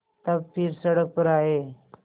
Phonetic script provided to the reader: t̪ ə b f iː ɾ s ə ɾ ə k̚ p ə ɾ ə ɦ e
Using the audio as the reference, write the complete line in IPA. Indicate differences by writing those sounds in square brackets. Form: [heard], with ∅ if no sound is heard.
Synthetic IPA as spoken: t̪ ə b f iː ɾ s ə [ɽ] ə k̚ p ə ɾ [a] ɦ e